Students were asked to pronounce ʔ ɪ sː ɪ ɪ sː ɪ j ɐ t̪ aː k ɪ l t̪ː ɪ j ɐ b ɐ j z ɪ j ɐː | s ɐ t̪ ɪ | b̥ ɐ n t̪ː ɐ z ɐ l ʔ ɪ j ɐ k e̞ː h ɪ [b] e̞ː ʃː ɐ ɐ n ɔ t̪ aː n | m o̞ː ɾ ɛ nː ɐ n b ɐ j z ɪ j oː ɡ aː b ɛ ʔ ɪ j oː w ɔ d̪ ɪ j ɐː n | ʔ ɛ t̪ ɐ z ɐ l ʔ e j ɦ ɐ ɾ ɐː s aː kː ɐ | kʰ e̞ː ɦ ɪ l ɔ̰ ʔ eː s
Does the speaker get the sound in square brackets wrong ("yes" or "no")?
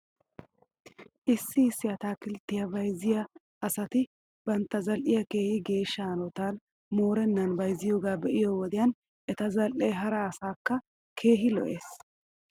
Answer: yes